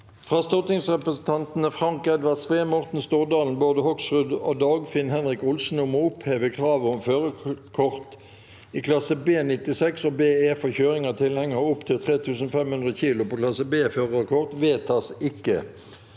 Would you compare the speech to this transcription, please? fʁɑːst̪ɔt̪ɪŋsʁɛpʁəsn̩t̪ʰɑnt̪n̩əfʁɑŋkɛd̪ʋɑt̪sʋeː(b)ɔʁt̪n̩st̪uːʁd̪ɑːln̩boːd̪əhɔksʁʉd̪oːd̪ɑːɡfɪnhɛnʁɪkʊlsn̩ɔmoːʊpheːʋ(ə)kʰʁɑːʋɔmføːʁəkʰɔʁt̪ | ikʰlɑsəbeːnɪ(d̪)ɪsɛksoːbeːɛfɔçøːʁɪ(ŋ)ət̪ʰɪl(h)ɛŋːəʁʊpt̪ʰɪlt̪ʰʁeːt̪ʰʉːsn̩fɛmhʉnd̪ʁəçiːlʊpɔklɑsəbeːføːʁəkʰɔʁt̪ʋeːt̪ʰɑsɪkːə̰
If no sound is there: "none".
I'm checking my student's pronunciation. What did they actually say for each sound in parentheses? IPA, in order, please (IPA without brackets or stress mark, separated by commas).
m, ə, t̪, ŋ, h